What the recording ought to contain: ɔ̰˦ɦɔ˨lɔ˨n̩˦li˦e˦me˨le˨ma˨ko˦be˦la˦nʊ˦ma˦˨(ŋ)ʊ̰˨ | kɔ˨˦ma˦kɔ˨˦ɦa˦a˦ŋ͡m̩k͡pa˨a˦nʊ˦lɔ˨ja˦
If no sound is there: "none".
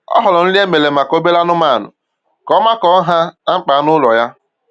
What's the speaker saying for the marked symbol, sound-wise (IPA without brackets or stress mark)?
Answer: n